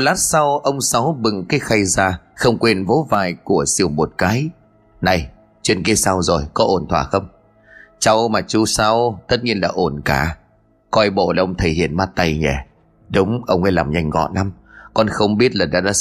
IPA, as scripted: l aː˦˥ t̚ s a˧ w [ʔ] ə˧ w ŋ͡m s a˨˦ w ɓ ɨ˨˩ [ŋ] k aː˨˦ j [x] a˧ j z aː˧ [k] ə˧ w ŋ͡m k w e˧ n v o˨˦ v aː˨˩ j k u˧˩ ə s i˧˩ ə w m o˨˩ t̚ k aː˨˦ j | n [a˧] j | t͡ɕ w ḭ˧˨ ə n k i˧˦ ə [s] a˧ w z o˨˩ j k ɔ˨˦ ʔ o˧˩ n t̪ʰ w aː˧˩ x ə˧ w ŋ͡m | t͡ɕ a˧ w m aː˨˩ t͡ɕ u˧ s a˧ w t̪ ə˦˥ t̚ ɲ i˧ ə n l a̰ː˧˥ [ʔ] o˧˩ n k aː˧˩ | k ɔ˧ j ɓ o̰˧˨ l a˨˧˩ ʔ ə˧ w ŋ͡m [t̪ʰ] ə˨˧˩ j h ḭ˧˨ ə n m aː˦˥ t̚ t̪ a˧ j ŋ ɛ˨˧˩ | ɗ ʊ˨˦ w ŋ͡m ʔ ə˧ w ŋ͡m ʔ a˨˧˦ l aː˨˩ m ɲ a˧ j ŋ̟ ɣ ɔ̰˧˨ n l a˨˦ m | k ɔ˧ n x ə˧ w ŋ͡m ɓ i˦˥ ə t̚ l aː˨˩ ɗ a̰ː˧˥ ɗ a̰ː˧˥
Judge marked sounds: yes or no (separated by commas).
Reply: yes, yes, yes, no, no, yes, yes, yes